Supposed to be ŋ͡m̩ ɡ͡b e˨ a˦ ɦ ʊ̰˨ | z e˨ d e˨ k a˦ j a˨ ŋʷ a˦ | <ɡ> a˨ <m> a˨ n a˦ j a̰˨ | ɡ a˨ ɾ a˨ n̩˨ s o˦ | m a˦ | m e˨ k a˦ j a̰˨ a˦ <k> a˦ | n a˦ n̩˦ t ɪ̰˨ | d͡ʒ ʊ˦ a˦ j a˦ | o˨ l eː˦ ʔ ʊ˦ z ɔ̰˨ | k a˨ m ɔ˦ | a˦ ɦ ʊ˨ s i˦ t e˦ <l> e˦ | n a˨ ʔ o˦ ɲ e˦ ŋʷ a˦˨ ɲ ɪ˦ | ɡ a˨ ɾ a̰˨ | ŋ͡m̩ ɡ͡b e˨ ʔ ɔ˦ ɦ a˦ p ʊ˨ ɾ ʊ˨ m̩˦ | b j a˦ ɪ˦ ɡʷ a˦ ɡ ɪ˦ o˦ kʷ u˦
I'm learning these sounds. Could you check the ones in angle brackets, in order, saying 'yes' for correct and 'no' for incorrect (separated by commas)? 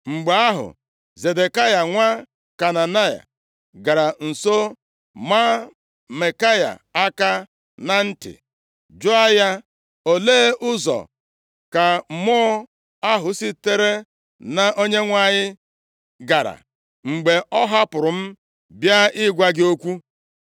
no, no, yes, no